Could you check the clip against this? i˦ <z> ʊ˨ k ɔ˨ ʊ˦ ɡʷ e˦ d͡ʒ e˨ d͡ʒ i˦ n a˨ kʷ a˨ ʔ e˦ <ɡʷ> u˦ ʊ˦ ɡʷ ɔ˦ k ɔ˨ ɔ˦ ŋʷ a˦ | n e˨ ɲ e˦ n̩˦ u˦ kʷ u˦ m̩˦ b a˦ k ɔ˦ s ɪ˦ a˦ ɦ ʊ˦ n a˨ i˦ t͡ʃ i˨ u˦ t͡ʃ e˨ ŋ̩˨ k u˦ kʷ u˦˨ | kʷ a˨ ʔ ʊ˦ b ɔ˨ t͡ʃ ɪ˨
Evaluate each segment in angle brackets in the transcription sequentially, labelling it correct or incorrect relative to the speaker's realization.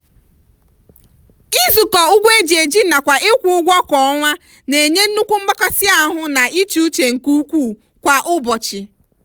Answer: correct, incorrect

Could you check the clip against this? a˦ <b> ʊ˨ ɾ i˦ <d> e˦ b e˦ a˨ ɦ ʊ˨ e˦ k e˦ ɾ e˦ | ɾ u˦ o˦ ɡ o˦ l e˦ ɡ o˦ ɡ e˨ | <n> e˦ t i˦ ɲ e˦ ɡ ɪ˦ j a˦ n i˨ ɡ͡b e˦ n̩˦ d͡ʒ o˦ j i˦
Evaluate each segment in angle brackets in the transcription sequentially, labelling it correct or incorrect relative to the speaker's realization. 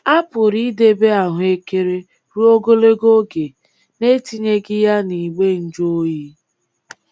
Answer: incorrect, correct, correct

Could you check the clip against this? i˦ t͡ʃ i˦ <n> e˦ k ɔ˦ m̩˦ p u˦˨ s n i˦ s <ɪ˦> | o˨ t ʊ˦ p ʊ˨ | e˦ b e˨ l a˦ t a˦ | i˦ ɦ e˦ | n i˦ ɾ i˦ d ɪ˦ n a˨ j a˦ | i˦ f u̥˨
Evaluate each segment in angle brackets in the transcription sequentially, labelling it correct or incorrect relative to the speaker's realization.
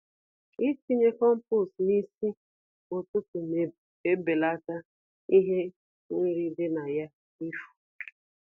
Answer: incorrect, incorrect

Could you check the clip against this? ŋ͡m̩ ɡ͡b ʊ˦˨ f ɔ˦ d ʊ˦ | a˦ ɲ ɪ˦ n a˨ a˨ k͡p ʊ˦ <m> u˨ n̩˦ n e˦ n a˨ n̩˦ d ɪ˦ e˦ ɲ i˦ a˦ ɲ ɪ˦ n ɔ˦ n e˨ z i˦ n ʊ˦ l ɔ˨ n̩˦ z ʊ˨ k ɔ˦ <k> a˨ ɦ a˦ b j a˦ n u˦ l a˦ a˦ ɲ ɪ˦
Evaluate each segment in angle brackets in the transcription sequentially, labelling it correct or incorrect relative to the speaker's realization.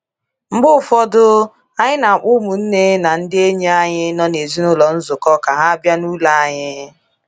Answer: correct, correct

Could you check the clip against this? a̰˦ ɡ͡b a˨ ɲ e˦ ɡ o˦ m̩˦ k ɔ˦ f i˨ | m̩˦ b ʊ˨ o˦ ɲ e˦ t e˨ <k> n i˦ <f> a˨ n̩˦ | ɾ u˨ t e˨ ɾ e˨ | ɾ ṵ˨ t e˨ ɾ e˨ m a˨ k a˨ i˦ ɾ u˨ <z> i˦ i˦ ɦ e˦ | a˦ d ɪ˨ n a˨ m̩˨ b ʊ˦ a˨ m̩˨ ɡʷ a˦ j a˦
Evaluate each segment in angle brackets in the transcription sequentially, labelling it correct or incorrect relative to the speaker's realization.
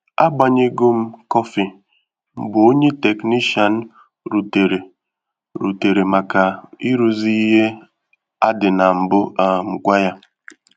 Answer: correct, incorrect, correct

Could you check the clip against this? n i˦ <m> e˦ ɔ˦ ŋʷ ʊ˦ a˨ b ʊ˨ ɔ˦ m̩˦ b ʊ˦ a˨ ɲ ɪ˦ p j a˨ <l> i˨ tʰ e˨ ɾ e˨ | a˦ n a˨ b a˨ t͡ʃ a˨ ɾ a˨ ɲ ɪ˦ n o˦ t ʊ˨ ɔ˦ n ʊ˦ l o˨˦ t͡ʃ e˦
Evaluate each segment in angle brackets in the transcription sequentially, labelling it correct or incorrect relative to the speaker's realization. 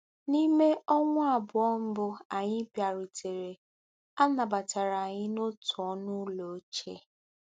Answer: correct, incorrect

